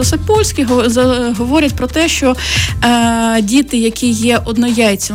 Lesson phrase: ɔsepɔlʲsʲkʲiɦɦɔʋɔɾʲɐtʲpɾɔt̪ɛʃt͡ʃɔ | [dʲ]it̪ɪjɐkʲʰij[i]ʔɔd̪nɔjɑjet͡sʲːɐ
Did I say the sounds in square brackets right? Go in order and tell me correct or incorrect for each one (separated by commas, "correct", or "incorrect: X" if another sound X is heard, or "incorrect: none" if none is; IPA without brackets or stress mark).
correct, incorrect: ɛ